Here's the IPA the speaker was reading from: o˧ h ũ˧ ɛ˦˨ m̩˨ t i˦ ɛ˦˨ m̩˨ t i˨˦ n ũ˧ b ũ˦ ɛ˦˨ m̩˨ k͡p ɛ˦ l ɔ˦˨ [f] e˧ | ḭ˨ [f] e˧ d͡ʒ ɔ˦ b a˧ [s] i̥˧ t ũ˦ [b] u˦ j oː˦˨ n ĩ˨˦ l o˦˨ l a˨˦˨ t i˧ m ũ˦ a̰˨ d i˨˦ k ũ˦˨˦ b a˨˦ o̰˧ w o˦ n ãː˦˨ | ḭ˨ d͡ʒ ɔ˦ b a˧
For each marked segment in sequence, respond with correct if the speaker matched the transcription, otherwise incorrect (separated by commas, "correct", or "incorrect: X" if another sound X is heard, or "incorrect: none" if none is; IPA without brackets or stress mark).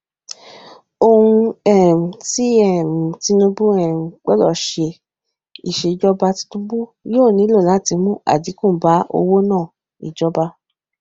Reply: incorrect: ʃ, incorrect: ʃ, incorrect: t, correct